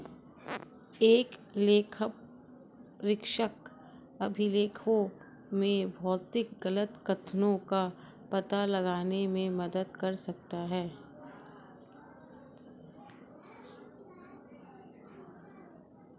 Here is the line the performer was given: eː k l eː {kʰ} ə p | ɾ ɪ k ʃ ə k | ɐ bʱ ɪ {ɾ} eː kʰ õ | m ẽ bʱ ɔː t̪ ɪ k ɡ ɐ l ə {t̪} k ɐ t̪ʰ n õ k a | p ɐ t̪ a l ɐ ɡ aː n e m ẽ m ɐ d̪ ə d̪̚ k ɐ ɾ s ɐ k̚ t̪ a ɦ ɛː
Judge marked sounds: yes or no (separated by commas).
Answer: yes, no, yes